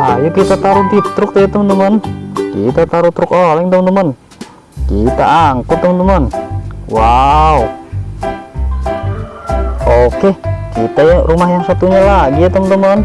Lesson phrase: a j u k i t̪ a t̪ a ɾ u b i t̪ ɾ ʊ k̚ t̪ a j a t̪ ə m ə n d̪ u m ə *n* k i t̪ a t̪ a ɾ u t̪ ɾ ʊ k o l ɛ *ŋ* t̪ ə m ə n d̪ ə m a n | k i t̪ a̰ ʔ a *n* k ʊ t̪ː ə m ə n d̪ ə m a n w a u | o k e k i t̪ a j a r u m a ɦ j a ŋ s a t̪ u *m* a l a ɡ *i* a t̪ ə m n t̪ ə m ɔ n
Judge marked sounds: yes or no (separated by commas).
yes, yes, no, no, yes